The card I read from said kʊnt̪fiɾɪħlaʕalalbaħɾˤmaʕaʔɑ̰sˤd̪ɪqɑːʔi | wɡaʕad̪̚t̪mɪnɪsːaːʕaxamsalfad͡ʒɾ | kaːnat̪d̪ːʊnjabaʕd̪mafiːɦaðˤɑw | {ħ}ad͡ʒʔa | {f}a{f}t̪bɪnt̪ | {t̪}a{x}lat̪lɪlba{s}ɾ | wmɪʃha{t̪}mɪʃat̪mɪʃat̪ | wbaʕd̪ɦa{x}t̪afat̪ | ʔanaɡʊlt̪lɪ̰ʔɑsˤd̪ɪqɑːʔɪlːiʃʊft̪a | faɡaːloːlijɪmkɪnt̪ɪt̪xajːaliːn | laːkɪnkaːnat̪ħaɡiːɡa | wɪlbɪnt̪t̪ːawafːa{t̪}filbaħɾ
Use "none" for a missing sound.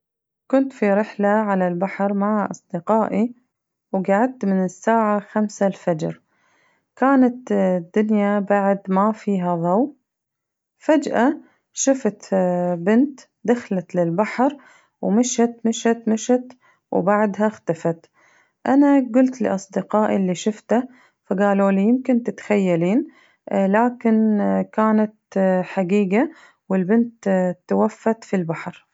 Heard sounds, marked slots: f, ʃ, f, d̪, x, ħ, t̪, x, t̪

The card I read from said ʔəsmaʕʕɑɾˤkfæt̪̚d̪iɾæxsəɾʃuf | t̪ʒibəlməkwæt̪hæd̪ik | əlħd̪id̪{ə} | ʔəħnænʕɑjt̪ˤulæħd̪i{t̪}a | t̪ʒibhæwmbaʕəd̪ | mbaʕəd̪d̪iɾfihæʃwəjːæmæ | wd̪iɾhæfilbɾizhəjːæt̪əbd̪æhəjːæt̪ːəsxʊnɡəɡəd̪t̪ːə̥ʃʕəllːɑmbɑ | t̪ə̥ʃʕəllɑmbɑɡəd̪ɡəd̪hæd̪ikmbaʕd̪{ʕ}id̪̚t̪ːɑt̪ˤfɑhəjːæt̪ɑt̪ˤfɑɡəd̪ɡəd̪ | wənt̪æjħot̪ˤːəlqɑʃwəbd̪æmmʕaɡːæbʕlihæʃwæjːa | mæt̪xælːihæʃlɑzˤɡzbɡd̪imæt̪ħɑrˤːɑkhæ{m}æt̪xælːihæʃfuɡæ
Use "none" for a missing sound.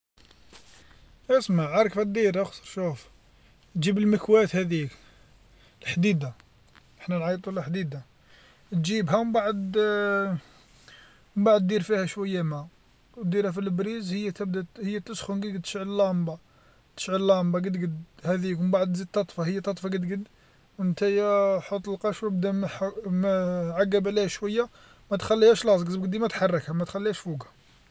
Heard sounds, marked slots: a, d̪, z, m

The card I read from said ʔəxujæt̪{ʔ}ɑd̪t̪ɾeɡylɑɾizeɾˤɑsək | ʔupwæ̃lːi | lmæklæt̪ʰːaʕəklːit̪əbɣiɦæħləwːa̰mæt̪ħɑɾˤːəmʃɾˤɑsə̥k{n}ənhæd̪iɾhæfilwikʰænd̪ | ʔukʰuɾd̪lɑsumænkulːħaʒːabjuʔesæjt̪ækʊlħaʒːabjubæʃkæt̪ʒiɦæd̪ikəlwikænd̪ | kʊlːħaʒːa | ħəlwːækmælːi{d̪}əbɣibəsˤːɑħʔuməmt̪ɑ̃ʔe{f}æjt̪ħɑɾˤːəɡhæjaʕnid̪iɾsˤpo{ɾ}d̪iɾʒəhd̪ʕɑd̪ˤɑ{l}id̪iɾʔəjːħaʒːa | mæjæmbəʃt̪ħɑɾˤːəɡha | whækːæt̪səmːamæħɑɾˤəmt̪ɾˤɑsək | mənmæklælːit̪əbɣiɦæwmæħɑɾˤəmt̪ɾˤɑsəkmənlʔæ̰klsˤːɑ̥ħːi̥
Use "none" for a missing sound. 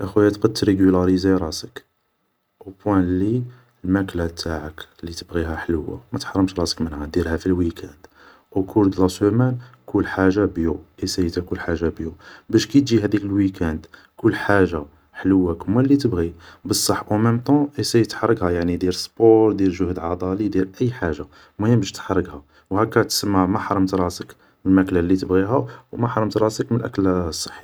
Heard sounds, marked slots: q, m, t̪, s, ɾ, l

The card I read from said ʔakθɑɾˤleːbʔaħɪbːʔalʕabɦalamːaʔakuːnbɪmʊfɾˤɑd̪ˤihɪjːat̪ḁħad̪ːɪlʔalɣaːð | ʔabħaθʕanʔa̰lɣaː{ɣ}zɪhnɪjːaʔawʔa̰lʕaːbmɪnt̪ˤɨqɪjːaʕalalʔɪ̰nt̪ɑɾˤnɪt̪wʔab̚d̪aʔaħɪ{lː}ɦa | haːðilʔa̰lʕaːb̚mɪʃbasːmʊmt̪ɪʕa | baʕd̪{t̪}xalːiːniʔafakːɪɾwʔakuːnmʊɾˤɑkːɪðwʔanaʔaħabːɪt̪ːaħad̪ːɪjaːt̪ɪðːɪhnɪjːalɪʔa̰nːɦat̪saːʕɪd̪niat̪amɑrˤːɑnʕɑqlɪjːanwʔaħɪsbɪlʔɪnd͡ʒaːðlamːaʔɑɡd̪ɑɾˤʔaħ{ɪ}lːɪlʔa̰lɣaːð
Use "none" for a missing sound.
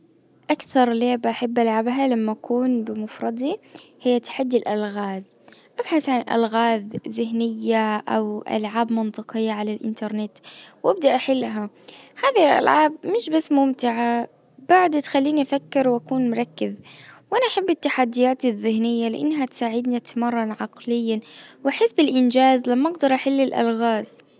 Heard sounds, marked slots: ð, lː, t̪, ɪ

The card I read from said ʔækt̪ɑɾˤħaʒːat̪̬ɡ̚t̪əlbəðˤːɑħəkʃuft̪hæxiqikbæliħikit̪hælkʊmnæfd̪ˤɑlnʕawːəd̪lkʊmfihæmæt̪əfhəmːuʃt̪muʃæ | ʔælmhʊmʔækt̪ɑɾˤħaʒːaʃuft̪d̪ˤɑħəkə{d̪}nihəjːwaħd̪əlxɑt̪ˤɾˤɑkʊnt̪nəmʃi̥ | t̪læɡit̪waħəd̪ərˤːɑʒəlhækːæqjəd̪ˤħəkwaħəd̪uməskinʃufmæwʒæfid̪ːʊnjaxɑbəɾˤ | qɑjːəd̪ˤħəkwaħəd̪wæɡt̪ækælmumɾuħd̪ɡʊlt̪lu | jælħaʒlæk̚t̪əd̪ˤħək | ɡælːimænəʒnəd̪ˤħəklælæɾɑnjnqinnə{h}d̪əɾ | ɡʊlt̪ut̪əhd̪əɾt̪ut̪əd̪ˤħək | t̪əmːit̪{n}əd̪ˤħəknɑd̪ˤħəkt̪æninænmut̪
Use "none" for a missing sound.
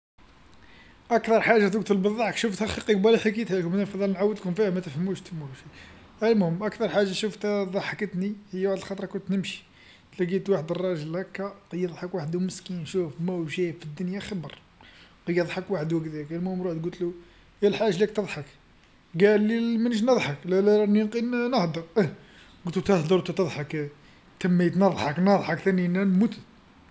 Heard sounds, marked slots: t̪, h, n

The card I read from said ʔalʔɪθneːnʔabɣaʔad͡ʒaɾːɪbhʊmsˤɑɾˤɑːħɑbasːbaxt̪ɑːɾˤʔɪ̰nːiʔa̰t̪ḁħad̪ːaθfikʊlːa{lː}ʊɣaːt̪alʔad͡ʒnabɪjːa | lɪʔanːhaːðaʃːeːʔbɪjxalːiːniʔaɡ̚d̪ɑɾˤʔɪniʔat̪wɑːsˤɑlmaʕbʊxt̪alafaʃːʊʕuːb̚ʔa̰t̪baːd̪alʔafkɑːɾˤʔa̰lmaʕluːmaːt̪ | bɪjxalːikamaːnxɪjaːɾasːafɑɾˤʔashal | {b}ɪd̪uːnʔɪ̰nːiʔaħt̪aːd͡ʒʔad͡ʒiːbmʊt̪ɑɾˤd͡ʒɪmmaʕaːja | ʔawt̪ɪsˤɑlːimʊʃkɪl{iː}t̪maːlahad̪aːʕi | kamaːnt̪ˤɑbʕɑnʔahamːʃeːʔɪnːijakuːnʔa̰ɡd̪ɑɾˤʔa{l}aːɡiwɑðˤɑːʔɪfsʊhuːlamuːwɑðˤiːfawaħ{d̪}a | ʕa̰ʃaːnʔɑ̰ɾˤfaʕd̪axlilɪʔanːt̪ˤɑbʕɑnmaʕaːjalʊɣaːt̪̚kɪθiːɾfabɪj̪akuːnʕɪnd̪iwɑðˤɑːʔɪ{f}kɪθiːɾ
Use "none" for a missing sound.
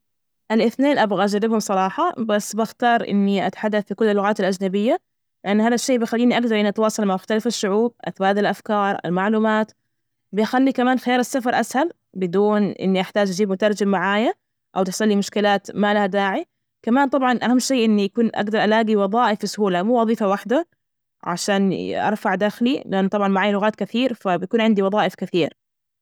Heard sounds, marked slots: lː, b, aː, l, d̪, f

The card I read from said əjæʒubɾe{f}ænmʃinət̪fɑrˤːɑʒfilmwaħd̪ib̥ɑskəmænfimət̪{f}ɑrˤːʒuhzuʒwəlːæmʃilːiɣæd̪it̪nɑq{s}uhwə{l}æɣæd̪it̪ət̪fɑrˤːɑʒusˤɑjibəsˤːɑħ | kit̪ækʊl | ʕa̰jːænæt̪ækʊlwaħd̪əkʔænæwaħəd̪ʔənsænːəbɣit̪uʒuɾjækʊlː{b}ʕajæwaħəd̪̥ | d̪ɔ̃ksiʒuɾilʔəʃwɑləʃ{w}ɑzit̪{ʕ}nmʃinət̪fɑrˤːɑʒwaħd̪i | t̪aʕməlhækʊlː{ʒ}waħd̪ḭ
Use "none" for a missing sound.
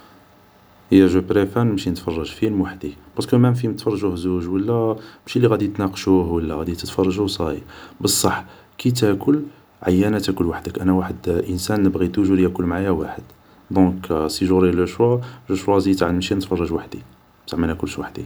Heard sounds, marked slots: f, f, ʃ, lː, m, w, ʕ, ʃ

